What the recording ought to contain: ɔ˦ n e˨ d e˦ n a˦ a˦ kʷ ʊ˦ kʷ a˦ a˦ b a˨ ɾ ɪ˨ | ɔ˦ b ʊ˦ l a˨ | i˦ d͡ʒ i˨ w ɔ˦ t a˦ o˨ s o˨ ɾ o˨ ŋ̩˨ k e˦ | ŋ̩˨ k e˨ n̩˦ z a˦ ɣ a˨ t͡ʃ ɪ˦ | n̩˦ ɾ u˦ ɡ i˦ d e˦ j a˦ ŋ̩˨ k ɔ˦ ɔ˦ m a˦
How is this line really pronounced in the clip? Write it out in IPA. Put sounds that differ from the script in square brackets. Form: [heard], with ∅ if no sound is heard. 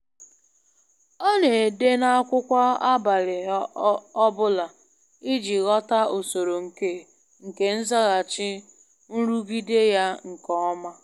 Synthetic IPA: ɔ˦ n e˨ d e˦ n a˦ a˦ kʷ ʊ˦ kʷ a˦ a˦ b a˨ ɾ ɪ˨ | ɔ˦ b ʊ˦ l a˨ | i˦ d͡ʒ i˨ [ɣ] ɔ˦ t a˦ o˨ s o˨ ɾ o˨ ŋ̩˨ k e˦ | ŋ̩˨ k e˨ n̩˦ z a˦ ɣ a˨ t͡ʃ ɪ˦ | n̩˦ ɾ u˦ ɡ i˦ d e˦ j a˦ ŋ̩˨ k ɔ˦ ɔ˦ m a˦